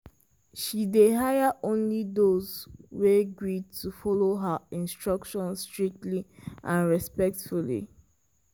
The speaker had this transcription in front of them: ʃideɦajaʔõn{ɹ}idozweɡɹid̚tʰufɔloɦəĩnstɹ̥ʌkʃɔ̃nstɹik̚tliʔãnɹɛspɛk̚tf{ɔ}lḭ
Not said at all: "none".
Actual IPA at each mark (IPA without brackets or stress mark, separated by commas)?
l, u